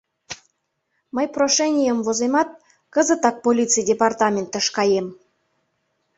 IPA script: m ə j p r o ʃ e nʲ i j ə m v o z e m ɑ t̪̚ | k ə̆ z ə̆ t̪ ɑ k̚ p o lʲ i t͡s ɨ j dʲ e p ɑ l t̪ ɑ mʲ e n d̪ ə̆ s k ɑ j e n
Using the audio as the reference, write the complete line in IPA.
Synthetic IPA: m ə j p r o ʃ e nʲ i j ə m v o z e m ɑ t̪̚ | k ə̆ z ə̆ t̪ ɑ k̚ p o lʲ i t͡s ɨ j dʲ e p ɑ r t̪ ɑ mʲ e n t̪ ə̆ ʃ k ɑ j e m